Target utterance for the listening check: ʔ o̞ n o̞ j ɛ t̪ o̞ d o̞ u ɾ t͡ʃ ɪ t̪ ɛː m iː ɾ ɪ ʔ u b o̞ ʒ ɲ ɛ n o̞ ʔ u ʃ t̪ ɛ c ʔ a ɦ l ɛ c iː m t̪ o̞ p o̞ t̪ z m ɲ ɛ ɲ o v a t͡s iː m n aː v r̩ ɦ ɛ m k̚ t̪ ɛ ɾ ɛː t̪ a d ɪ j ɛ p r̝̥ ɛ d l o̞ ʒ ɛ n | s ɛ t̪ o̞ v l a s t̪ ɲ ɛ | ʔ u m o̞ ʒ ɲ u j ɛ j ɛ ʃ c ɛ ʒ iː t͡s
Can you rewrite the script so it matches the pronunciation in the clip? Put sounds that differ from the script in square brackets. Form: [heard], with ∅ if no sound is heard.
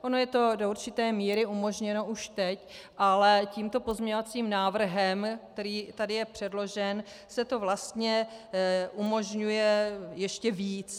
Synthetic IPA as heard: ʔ o̞ n o̞ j ɛ t̪ o̞ d o̞ u ɾ t͡ʃ ɪ t̪ ɛː m iː ɾ ɪ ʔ u [m] o̞ ʒ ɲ ɛ n o̞ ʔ u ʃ t̪ ɛ c ʔ a [∅] l ɛ c iː m t̪ o̞ p o̞ [∅] z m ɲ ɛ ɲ o v a t͡s iː m n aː v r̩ ɦ ɛ m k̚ t̪ ɛ ɾ [iː] t̪ a d ɪ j ɛ p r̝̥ ɛ d l o̞ ʒ ɛ n | s ɛ t̪ o̞ v l a s t̪ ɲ ɛ | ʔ u m o̞ ʒ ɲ u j ɛ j ɛ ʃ c ɛ [v] iː t͡s